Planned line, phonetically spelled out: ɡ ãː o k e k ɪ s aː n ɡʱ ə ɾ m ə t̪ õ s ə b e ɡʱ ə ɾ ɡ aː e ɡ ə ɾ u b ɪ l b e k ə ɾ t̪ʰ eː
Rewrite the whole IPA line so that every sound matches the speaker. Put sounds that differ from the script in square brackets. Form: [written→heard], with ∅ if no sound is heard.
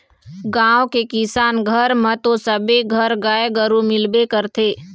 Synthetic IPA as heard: ɡ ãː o k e k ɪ s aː n ɡʱ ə ɾ m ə t̪ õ s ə b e ɡʱ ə ɾ ɡ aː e ɡ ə ɾ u [b→m] ɪ l b e k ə ɾ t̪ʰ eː